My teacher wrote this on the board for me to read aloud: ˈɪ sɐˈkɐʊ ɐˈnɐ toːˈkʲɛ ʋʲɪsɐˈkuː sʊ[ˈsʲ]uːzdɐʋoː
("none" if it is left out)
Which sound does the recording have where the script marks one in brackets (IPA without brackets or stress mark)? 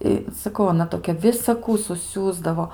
sʲ